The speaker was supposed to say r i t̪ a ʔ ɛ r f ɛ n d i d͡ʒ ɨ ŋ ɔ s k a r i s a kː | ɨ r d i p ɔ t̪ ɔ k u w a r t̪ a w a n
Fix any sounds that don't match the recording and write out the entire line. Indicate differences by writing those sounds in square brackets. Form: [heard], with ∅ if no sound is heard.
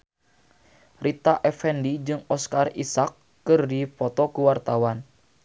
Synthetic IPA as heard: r i t̪ a ʔ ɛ [∅] f ɛ n d i d͡ʒ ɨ ŋ ɔ s k a r i s a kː | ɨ r d i p ɔ t̪ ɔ k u w a r t̪ a w a n